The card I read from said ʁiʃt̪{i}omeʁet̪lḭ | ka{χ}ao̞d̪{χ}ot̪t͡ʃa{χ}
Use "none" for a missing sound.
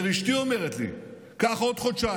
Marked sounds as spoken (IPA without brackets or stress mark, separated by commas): i, χ, χ, none